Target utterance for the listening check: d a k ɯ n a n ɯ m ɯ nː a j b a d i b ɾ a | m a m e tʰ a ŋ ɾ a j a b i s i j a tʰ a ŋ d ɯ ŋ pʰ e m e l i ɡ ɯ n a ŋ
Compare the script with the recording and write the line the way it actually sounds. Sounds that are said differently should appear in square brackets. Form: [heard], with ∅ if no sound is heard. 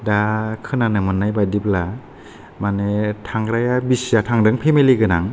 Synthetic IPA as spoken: d a [kʰ] ɯ n a n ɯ m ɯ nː a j b a d i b [l] a | m a [n] e tʰ a ŋ ɾ a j a b i s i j a tʰ a ŋ d ɯ ŋ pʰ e m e l i ɡ ɯ n a ŋ